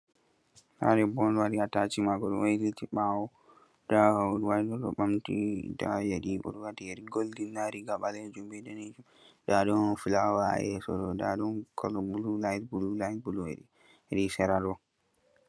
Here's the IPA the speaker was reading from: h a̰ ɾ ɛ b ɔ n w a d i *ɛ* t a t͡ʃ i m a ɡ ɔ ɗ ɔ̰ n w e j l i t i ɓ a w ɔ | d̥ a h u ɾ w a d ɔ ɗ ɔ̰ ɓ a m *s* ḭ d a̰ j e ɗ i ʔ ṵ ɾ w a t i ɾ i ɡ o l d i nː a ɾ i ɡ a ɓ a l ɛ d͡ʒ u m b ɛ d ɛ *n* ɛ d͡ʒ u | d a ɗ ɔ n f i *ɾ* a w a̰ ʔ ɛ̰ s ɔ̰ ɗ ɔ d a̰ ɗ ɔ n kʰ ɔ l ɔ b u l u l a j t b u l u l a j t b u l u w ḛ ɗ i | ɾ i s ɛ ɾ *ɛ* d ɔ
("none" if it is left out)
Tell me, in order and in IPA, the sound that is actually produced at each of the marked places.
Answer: a, t, n, l, a

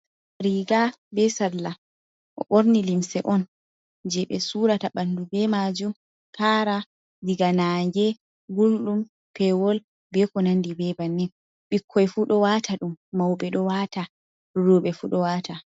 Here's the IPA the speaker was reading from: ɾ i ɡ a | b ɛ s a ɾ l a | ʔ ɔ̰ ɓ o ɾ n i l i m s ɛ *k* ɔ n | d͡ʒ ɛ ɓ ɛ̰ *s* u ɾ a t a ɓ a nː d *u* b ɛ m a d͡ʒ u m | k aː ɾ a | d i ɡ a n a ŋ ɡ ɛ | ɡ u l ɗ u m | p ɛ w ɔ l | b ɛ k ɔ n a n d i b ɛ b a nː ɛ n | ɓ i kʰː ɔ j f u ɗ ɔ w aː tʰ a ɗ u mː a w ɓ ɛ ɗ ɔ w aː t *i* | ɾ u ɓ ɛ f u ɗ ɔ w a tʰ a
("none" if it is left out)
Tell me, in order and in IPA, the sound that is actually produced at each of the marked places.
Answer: ʔ, s, u, a

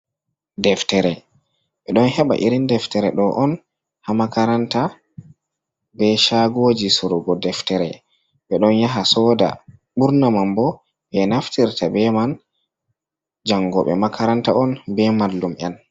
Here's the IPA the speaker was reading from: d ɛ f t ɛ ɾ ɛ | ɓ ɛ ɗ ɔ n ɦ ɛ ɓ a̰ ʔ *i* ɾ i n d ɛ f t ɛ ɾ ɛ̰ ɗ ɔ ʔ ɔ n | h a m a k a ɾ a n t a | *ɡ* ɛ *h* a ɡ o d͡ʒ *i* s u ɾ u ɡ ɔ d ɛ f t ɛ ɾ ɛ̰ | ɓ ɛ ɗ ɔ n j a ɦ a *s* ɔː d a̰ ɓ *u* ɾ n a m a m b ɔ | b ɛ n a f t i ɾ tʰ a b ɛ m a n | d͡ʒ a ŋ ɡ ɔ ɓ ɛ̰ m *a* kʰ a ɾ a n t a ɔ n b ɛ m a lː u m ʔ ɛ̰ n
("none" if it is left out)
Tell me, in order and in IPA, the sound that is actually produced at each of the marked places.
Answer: i, b, ʃ, i, s, u, a

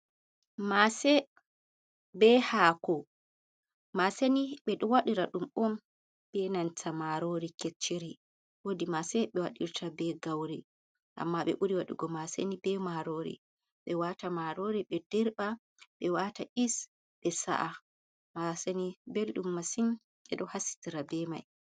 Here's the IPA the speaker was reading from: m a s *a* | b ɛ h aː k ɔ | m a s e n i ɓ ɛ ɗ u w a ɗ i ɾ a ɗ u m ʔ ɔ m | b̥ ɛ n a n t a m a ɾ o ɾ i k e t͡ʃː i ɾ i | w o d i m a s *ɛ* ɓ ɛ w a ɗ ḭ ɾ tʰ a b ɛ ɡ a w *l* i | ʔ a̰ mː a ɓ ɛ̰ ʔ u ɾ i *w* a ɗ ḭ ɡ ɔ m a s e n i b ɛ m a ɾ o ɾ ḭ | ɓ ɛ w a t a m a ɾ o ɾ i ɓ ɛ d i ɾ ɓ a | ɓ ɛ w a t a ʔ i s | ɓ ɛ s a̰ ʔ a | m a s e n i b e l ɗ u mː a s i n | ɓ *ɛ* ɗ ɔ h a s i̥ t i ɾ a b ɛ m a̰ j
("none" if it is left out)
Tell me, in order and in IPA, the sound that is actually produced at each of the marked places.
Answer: ɛ, ɛ, ɾ, w, ɛ

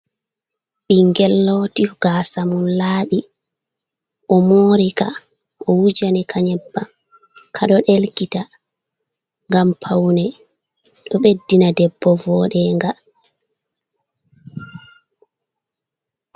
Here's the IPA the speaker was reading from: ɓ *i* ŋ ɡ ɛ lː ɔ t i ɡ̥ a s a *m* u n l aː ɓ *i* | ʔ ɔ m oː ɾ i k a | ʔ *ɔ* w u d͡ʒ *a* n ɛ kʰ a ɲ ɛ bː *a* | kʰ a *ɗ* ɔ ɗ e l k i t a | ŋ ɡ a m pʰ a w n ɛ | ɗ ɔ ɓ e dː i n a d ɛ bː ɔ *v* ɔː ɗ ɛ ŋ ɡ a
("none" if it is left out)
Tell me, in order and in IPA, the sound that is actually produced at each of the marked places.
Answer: i, m, i, ɔ, a, a, ɗ, v

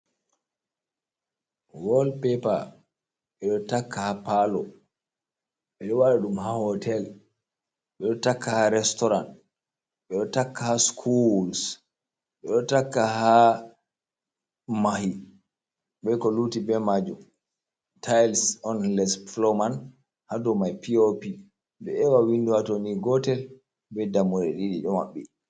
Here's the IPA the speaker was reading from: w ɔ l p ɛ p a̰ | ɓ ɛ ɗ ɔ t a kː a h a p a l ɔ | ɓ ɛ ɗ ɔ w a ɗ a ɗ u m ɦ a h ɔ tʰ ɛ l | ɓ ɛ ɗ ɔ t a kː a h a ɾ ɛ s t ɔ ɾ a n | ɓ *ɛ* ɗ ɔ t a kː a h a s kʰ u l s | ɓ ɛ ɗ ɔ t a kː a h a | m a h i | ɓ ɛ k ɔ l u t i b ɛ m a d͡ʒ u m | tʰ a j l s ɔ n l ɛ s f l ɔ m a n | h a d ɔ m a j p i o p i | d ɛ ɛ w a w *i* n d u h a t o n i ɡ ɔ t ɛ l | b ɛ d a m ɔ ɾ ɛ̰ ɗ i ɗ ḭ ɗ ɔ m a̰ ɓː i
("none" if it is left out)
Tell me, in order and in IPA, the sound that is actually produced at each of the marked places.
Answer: ɛ, i

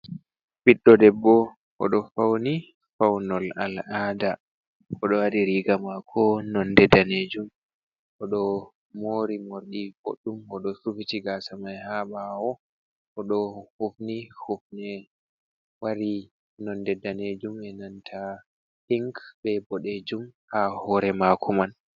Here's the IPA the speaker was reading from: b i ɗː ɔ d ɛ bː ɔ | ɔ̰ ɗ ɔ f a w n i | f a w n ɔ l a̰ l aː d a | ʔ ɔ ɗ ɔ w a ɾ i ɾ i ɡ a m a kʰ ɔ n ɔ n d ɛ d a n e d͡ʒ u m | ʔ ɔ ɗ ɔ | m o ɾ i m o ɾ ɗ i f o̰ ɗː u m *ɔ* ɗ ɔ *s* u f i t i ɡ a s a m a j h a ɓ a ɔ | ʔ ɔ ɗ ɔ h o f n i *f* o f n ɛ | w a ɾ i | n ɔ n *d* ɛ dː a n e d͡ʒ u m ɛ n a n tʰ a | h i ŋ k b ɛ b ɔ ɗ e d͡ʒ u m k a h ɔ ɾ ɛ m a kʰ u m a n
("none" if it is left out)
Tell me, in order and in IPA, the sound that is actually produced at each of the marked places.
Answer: ɔ, s, h, d

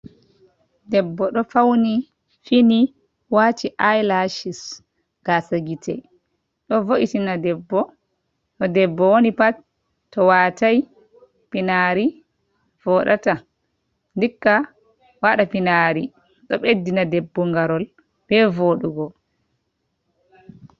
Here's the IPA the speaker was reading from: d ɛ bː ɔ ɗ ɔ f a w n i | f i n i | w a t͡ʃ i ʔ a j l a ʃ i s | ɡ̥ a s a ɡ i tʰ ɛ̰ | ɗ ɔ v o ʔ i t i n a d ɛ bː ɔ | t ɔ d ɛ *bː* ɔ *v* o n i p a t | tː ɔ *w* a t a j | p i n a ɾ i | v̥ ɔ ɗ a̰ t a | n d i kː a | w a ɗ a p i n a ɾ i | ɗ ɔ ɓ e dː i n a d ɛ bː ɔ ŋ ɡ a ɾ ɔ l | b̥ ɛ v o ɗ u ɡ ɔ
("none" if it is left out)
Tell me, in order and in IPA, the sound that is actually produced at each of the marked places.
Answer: bː, w, w

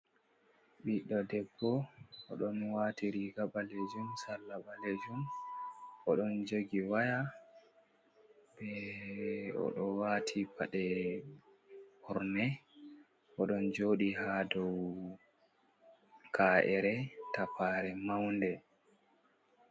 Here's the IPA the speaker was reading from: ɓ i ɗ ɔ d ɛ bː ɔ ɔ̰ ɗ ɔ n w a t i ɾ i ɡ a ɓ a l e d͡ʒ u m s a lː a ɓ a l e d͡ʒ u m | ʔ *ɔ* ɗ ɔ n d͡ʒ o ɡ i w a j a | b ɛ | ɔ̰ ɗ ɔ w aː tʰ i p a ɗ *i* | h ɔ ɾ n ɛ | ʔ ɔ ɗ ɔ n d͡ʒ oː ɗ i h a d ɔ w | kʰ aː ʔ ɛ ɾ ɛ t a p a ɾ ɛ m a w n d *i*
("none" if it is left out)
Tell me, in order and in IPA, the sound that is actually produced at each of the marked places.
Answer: ɔ, ɛ, ɛ

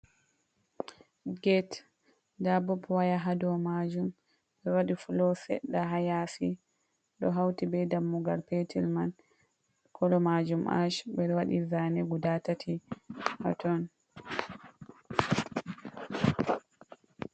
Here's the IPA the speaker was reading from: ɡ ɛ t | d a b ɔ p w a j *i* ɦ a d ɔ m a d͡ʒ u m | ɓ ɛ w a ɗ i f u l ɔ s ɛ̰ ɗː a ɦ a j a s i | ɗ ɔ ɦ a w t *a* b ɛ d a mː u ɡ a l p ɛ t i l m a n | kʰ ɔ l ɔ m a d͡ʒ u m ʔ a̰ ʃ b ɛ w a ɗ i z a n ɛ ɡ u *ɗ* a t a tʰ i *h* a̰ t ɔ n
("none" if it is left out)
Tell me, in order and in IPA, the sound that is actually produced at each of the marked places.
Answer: a, i, d, h

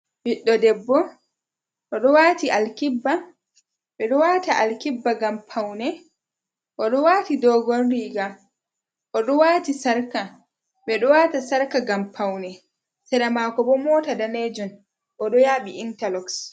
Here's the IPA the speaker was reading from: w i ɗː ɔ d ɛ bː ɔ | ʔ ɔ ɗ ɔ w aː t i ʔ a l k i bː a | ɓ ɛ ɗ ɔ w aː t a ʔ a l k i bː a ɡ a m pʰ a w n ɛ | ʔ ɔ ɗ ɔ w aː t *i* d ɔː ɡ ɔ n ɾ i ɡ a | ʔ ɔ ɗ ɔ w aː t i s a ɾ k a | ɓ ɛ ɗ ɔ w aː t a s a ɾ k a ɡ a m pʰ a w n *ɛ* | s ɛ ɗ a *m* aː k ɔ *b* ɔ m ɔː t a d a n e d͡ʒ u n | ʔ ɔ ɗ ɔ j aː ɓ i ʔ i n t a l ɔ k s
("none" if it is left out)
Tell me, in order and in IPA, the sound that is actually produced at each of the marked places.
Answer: i, ɛ, m, b

